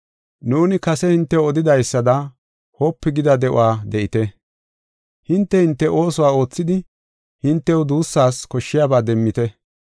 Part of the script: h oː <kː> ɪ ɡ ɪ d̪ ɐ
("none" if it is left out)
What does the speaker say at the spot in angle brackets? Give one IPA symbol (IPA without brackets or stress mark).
pː